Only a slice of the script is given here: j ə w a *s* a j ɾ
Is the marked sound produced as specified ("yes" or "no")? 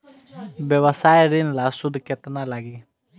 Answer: yes